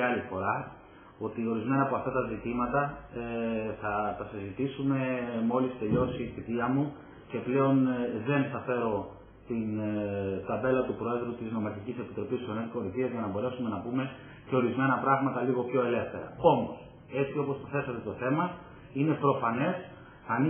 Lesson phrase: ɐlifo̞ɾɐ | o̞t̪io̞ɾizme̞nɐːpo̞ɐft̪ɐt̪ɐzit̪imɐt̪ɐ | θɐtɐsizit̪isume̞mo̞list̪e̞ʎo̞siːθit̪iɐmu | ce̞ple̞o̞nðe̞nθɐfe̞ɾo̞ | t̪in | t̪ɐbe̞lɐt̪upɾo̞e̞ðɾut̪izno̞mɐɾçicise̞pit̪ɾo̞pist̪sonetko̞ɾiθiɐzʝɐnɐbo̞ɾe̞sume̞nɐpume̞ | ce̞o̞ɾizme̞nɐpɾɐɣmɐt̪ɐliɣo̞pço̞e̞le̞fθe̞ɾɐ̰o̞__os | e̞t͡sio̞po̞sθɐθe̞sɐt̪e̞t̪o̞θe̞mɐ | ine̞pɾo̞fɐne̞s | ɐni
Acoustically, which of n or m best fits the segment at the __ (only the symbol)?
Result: m